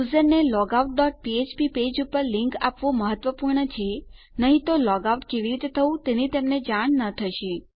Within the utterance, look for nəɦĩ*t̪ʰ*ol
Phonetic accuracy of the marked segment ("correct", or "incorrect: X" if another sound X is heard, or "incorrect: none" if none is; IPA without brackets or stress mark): incorrect: t̪